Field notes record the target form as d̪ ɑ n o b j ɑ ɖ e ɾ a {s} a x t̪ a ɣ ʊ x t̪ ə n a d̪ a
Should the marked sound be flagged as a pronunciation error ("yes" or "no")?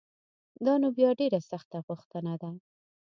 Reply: no